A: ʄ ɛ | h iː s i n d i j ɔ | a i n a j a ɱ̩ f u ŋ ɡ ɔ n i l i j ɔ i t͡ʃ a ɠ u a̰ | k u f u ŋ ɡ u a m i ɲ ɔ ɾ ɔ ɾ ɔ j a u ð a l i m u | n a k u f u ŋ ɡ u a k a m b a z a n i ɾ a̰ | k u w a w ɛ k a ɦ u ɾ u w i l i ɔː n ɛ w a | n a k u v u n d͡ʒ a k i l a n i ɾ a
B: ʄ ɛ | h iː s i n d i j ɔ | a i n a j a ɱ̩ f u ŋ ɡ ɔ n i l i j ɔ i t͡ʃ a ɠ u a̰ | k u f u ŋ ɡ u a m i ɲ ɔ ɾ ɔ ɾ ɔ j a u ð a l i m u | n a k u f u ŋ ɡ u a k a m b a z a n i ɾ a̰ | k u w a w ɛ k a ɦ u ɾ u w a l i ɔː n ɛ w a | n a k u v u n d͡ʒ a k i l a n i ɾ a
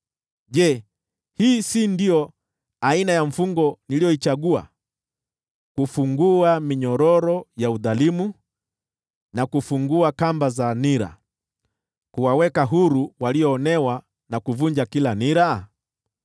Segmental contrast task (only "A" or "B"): B